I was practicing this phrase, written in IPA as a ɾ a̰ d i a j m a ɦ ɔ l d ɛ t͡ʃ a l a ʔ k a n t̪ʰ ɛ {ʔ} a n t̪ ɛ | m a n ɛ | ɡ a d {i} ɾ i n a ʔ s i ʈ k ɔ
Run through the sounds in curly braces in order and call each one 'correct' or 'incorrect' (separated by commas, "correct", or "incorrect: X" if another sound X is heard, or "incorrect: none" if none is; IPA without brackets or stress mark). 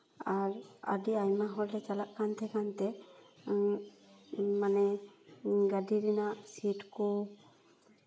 incorrect: k, correct